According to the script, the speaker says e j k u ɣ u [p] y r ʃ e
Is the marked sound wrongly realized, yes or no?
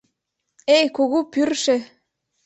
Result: no